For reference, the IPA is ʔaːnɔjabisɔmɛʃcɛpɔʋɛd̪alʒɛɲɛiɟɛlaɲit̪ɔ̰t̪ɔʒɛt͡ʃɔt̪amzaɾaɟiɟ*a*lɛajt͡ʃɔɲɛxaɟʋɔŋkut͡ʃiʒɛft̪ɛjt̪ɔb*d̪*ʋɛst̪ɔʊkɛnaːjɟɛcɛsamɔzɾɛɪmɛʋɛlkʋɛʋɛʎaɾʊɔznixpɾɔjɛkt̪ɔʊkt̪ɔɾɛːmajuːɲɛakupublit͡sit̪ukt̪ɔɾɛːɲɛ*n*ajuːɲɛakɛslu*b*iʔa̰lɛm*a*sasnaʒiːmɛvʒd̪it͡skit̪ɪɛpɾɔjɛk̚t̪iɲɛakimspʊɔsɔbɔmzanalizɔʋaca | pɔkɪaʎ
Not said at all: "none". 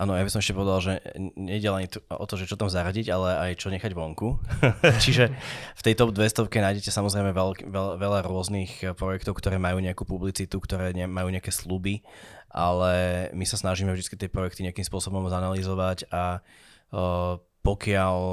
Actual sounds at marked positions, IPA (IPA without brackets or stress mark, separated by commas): a, d̪, m, b, i